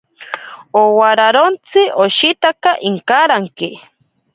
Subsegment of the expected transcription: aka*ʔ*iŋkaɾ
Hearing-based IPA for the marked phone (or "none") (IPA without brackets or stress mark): ʔ